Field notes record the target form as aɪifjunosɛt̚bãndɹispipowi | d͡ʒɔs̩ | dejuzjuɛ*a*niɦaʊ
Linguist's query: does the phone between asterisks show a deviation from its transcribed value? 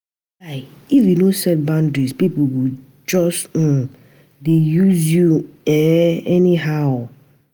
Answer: yes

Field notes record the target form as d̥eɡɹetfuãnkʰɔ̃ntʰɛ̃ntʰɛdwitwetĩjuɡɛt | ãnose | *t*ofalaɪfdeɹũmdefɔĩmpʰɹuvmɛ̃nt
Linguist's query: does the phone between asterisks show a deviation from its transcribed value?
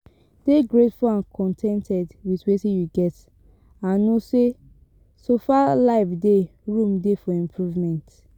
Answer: yes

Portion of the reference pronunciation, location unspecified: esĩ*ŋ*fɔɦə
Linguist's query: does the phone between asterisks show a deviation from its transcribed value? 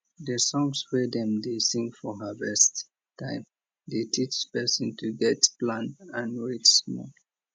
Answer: no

